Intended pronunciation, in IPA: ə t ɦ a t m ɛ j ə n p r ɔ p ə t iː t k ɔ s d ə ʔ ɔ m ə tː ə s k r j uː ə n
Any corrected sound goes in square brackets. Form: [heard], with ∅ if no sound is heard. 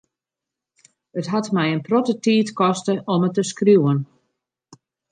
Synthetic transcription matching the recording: ə t ɦ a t m ɛ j ə n p r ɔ [t] ə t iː t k ɔ s [t] ə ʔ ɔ m ə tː ə s k r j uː ə n